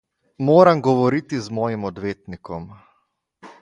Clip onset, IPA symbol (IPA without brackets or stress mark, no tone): m